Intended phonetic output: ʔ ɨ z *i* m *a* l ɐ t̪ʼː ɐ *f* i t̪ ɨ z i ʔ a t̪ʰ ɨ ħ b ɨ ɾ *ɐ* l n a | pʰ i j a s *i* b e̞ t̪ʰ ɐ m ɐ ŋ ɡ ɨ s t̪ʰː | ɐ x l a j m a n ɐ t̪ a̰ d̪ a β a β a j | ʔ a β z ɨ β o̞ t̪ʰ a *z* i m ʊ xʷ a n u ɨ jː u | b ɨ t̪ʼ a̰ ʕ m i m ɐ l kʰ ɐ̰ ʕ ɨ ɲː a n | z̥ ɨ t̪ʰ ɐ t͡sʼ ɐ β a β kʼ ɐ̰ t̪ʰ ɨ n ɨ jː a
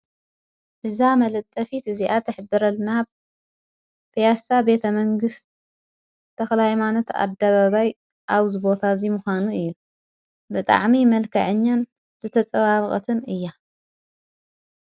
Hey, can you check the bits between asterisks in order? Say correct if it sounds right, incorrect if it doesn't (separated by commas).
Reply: incorrect, incorrect, correct, correct, incorrect, correct